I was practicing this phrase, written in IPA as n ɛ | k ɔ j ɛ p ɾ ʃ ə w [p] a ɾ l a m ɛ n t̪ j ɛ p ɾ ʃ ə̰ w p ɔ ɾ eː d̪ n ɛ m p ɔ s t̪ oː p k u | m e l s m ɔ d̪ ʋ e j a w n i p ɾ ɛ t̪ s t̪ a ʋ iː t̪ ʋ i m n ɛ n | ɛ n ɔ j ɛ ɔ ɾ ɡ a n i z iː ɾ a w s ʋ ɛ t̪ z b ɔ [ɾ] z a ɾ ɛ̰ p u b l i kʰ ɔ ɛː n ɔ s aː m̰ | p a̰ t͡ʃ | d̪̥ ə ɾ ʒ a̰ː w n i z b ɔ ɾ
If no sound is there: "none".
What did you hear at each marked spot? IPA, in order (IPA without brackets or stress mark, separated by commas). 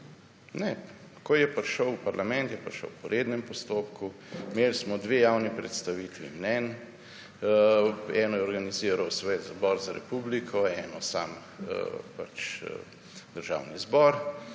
p, ɾ